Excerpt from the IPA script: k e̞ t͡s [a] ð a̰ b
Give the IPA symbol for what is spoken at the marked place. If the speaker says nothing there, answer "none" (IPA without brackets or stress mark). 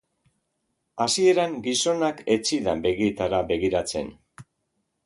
i